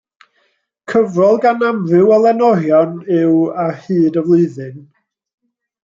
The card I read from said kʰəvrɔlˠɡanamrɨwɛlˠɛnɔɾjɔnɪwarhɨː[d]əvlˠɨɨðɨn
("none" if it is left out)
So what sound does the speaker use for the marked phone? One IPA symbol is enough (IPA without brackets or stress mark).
d